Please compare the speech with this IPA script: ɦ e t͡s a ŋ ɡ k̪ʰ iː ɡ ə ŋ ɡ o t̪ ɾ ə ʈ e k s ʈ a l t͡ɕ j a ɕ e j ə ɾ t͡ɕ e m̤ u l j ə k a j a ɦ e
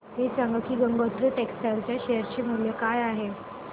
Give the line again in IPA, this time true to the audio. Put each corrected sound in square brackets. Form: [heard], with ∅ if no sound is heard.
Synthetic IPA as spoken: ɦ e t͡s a ŋ ɡ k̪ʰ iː ɡ ə ŋ ɡ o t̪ ɾ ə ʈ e k s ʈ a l t͡ɕ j a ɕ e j ə ɾ t͡ɕ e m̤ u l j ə k a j a ɦ e